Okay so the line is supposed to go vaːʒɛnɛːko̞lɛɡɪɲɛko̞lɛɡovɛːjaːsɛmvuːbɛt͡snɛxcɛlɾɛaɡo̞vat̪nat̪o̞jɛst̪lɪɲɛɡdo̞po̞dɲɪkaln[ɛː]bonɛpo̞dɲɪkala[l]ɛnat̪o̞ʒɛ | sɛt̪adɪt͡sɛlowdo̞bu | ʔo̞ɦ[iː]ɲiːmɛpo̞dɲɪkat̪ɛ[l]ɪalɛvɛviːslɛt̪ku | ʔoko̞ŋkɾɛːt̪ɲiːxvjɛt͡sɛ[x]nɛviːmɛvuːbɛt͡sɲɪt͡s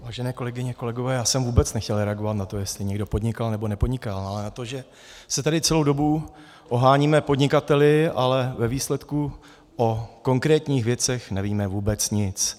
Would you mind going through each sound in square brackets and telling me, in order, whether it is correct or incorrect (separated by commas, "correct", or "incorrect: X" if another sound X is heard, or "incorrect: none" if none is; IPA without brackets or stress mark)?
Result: incorrect: ɛ, correct, incorrect: aː, correct, correct